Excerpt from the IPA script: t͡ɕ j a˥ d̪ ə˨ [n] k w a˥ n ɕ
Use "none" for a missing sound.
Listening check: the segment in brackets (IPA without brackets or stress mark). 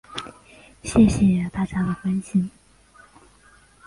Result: none